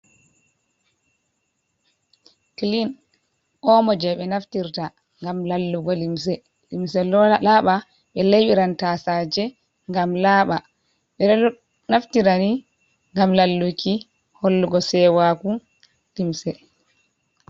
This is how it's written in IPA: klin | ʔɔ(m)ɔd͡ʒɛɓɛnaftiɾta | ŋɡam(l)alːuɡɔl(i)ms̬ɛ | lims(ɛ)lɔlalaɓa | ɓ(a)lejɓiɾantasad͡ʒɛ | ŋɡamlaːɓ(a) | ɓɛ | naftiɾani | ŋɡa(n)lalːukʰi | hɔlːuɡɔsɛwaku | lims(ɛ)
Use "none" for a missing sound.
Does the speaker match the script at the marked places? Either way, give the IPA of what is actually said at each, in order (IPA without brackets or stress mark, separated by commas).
m, l, i, ɛ, ɛ, a, m, ɛ